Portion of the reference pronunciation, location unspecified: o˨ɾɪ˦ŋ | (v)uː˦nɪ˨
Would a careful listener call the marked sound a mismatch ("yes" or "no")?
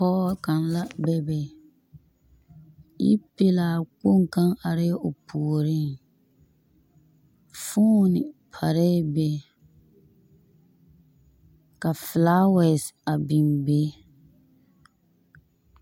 yes